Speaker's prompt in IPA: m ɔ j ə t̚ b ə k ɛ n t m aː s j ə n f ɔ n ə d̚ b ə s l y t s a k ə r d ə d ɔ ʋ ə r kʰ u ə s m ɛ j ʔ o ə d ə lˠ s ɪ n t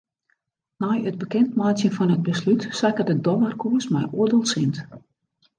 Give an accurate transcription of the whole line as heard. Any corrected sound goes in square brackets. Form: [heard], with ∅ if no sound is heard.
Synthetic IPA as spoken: [n] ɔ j ə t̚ b ə k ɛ n t m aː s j ə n f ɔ n ə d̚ b ə s l y t s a k ə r d ə d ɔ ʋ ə r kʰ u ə s m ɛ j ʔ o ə d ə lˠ s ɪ n t